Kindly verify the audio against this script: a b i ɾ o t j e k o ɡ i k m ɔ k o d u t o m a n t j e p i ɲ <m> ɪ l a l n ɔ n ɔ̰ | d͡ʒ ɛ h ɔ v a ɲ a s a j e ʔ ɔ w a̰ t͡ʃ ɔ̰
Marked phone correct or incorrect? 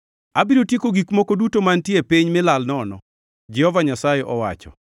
correct